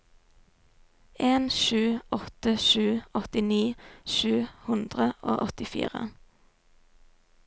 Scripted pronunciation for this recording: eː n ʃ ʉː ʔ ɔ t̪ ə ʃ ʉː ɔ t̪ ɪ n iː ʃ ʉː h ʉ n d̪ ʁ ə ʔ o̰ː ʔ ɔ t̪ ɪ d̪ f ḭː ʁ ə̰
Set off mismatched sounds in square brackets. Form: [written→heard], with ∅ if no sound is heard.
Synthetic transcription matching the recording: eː n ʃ ʉː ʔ ɔ t̪ ə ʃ ʉː ɔ t̪ ɪ n iː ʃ ʉː h ʉ n d̪ ʁ ə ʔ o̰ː ʔ ɔ t̪ ɪ [d̪→∅] f ḭː ʁ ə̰